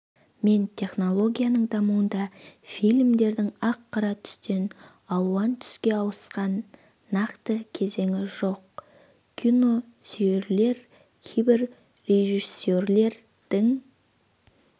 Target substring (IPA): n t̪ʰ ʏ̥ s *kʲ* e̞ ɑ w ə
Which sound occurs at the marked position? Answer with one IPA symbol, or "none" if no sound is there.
kʲ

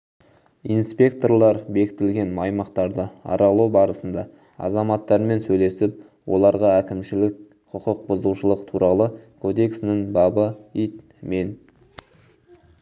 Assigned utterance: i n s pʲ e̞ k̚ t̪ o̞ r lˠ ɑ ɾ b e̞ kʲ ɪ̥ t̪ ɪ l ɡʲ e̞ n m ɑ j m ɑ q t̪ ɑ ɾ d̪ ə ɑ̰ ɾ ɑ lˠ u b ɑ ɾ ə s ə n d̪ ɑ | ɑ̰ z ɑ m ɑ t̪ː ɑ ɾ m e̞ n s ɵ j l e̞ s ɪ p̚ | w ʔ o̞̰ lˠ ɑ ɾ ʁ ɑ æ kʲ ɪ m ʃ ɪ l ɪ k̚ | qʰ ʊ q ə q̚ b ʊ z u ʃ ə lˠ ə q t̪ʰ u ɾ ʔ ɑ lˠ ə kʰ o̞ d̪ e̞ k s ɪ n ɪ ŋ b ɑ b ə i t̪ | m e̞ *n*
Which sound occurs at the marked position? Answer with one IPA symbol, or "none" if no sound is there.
n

